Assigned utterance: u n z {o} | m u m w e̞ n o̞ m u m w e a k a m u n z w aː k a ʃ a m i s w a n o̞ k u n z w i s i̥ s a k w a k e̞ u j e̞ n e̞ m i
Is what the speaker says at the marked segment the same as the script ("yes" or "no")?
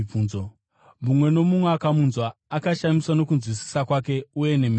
yes